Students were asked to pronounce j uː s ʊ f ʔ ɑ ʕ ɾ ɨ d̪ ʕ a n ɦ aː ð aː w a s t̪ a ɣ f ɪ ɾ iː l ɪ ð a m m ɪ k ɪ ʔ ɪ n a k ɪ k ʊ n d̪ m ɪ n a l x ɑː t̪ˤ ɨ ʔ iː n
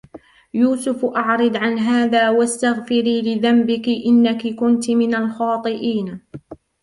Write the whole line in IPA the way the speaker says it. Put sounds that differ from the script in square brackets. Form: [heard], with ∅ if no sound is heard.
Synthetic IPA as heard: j uː s ʊ f ʔ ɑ ʕ ɾ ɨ d̪ ʕ a n ɦ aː ð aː w a s t̪ a ɣ f ɪ ɾ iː l ɪ ð a m [b] ɪ k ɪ ʔ ɪ [nː] a k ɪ k ʊ n [t̪] m ɪ n a l x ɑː t̪ˤ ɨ ʔ iː n

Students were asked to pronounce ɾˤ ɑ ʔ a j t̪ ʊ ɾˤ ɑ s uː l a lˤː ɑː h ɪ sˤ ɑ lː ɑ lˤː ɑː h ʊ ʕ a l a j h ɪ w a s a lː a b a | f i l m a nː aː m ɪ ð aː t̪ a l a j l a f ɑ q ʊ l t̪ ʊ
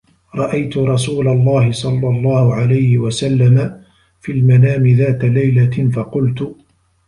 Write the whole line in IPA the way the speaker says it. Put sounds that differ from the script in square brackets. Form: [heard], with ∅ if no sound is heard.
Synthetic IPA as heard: ɾˤ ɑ ʔ a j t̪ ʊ ɾˤ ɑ s uː l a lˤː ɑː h ɪ sˤ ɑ lː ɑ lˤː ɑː h ʊ ʕ a l a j h ɪ w a s a lː a [m] a | f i l m a [n] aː m ɪ ð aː t̪ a l a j l a f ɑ q ʊ l t̪ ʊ

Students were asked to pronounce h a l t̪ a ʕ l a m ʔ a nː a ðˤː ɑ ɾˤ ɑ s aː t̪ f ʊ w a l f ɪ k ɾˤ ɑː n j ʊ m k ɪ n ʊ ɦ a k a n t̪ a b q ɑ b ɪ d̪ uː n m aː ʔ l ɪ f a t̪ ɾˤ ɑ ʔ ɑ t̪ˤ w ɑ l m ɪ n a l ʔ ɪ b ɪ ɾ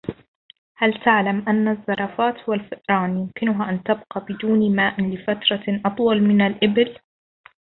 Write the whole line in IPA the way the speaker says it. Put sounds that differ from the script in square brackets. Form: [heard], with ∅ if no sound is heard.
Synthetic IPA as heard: h a l t̪ a ʕ l a m ʔ a nː a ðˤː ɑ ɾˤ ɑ [f] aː t̪ [h] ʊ w a l f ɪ [ʔ] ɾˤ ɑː n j ʊ m k ɪ n ʊ ɦ a [ʔ] a n t̪ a b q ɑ b ɪ d̪ uː n m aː ʔ l ɪ f a t̪ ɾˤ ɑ ʔ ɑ t̪ˤ w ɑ l m ɪ n a l ʔ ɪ b ɪ [l]

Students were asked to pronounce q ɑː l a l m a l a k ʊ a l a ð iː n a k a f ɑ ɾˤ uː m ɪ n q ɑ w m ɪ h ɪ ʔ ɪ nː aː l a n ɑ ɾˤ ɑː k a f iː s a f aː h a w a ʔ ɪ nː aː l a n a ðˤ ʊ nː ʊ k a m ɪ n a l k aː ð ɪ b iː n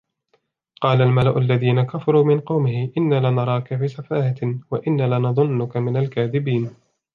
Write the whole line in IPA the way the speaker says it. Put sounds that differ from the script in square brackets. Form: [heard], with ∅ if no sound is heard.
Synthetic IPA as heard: q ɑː l a l m a l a [ʔ] ʊ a [lː] a ð iː n a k a f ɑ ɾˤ uː m ɪ n q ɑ w m ɪ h ɪ ʔ ɪ nː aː l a n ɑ ɾˤ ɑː k a f iː s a f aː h a w a ʔ ɪ nː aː l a n [ɑ] ðˤ ʊ nː ʊ k a m ɪ n a l k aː ð ɪ b iː n

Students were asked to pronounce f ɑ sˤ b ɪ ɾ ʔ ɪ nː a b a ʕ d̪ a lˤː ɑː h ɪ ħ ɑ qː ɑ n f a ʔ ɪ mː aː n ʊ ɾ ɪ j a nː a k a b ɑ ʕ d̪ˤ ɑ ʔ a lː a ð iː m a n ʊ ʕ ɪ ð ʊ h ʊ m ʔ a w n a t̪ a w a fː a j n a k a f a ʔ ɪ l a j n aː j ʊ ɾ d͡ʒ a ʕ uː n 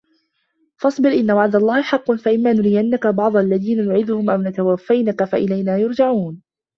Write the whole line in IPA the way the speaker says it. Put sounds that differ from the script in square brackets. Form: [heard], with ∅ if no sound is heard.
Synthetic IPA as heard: f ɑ sˤ b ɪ ɾ ʔ ɪ nː a [w] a ʕ d̪ a lˤː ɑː h ɪ ħ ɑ qː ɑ n f a ʔ ɪ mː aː n ʊ ɾ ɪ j a nː a k a b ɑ ʕ d̪ˤ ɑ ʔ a lː a ð iː [n] a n ʊ ʕ ɪ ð ʊ h ʊ m ʔ a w n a t̪ a w a fː a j n a k a f a ʔ ɪ l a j n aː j ʊ ɾ d͡ʒ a ʕ uː n

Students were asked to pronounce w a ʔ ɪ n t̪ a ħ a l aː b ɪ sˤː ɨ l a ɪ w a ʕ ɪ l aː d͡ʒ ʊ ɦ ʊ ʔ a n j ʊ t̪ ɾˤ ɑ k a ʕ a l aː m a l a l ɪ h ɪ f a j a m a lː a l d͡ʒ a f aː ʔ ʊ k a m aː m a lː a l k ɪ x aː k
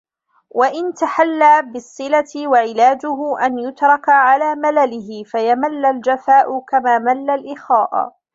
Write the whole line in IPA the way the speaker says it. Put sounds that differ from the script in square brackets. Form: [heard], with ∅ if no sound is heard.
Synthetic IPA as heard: w a ʔ ɪ n t̪ a ħ a [lː] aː b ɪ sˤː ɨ l a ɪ w a ʕ ɪ l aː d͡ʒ ʊ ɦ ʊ ʔ a n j ʊ t̪ ɾˤ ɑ k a ʕ a l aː m a l a l ɪ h ɪ f a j a m a lː a l d͡ʒ a f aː ʔ ʊ k a m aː m a lː a l [ʔ] ɪ x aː [ʔ]

